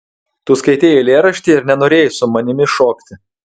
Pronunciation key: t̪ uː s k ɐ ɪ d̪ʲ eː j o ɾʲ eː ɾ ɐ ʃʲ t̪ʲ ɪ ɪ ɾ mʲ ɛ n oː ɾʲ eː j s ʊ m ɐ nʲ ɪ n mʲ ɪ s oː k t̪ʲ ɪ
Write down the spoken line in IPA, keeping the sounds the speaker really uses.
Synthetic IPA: t̪ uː s k ɐ ɪ t̪ʲ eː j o lʲ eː ɾ ɐ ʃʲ t̪ʲ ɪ ɪ ɾ nʲ ɛ n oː ɾʲ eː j s ʊ m ɐ nʲ ɪ mʲ ɪ ʃ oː k t̪ʲ ɪ

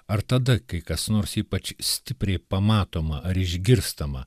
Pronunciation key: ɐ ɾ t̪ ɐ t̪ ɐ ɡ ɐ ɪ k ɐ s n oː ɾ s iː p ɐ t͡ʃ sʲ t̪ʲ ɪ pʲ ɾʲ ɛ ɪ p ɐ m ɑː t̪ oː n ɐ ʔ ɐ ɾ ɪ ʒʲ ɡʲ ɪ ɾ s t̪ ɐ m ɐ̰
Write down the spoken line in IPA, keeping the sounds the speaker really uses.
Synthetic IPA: ɐ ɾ t̪ ɐ d̪ ɐ k ɐ ɪ k ɐ s n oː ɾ s iː p ɐ t͡ʃ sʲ t̪ʲ ɪ pʲ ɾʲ ɛ ɪ p ɐ m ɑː t̪ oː m ɐ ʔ ɐ ɾ ɪ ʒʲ ɡʲ ɪ ɾ s t̪ ɐ m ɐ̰

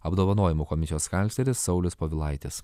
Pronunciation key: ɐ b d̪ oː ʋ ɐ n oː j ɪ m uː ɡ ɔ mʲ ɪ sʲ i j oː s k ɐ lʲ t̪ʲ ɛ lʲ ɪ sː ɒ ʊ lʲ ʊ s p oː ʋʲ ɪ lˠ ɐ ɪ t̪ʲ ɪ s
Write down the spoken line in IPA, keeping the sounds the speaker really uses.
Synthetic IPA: ɐ b d̪ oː ʋ ɐ n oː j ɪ m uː k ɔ mʲ ɪ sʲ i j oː s k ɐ lʲ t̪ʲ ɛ ɾʲ ɪ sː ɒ ʊ lʲ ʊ s p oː ʋʲ ɪ lˠ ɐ ɪ t̪ʲ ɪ s

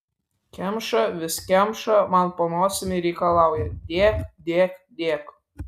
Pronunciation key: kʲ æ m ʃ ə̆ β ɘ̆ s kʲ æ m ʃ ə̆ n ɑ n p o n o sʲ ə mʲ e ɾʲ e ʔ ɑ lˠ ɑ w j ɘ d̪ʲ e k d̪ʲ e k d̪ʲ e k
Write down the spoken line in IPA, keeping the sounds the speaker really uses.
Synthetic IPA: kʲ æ m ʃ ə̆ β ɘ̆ s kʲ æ m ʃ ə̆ m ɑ n p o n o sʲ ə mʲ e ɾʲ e k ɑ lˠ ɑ w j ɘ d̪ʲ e k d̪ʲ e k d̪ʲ e k

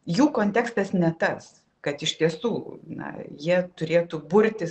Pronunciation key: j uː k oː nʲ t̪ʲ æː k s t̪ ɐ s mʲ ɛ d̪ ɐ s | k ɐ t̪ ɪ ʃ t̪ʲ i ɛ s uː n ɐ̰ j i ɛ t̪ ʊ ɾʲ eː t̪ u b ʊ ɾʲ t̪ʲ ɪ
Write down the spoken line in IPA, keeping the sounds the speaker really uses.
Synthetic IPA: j uː k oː nʲ t̪ʲ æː k s t̪ ɐ s nʲ ɛ t̪ ɐ s | k ɐ t̪ ɪ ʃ t̪ʲ i ɛ s uː n ɐ̰ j i ɛ t̪ ʊ ɾʲ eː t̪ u b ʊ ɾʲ t̪ʲ ɪ

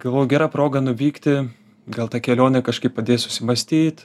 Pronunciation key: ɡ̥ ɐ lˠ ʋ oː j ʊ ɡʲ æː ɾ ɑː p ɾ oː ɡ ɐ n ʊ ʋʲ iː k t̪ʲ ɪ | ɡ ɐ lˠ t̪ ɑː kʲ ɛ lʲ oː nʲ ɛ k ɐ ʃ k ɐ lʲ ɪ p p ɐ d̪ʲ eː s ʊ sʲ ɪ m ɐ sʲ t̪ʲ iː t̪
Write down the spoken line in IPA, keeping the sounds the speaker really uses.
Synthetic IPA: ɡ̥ ɐ lˠ ʋ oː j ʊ ɡʲ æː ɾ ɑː p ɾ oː ɡ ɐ n ʊ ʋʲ iː k t̪ʲ ɪ | ɡ ɐ lˠ t̪ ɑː kʲ ɛ lʲ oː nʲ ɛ k ɐ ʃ k ɐ ɪ p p ɐ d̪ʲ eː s ʊ sʲ ɪ m ɐ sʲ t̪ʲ iː t̪

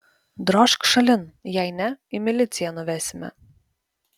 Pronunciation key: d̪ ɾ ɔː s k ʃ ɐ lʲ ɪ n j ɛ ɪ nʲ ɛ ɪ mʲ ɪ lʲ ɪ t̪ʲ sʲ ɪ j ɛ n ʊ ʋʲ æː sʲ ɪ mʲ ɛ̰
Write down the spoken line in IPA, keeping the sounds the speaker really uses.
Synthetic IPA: d̪ ɾ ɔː ʃ k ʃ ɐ lʲ ɪ n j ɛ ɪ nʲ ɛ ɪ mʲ ɪ lʲ ɪ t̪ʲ sʲ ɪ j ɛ n ʊ ʋʲ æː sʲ ɪ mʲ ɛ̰

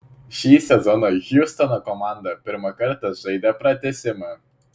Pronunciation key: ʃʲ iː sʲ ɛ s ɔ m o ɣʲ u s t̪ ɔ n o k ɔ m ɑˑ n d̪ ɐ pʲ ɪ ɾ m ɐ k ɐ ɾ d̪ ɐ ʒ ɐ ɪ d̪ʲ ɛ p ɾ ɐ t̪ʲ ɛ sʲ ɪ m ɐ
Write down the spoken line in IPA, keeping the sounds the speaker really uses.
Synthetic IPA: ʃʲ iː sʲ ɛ z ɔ n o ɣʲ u s t̪ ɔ n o k ɔ m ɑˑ n d̪ ɐ pʲ ɪ ɾ m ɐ k ɐ ɾ t̪ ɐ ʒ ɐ ɪ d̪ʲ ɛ p ɾ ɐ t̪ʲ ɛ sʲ ɪ m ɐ

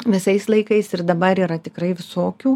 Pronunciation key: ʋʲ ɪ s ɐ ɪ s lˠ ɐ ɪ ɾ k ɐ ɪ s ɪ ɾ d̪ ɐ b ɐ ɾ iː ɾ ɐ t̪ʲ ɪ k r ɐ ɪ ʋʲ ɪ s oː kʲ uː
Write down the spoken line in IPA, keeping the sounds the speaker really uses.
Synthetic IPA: ʋʲ ɪ s ɐ ɪ s lˠ ɐ ɪ k ɐ ɪ s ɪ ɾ d̪ ɐ b ɐ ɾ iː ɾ ɐ t̪ʲ ɪ k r ɐ ɪ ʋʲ ɪ s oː kʲ uː

